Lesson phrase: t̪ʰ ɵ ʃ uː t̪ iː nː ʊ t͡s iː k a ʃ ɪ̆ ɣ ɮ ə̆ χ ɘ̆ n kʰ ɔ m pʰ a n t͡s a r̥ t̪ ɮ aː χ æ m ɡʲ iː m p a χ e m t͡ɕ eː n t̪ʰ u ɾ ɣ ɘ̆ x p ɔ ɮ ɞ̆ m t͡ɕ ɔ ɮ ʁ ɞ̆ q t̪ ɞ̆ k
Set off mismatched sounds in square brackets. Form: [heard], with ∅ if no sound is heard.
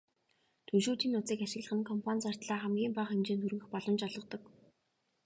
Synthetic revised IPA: t̪ʰ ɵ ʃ uː t̪ iː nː ʊ t͡s iː k a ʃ ɪ̆ ɣ ɮ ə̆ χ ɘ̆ n kʰ ɔ m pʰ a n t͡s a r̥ t̪ ɮ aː χ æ m ɡʲ iː m p a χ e m t͡ɕ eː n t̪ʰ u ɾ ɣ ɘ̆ x p ɔ ɮ ɞ̆ m t͡ɕ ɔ ɮ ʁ ɞ̆ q t̪ ɞ̆ k